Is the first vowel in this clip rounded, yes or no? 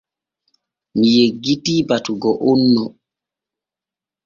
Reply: no